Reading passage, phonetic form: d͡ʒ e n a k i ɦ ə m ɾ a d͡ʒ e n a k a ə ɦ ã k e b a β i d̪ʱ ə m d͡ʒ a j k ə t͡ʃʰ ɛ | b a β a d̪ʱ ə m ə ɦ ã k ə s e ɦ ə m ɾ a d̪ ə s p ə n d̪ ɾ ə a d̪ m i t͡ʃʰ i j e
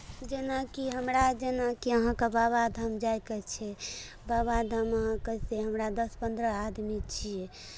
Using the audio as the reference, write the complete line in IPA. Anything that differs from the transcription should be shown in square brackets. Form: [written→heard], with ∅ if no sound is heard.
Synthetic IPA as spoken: d͡ʒ e n a k i ɦ ə m ɾ a d͡ʒ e n a k [a→i] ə ɦ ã k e b a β [i→a] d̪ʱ ə m d͡ʒ a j k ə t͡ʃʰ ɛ | b a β a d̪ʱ ə m ə ɦ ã k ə s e ɦ ə m ɾ a d̪ ə s p ə n d̪ ɾ ə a d̪ m i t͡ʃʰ i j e